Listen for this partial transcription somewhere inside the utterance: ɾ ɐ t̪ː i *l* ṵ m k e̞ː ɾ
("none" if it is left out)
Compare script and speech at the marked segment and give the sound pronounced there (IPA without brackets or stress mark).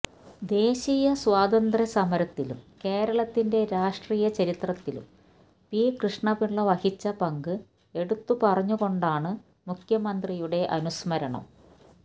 l